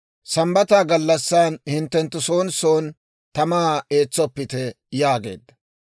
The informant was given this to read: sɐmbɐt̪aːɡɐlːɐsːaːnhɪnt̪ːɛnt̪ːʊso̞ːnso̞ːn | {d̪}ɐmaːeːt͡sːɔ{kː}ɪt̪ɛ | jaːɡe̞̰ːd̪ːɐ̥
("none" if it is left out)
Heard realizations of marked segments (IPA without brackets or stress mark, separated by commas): t̪, pː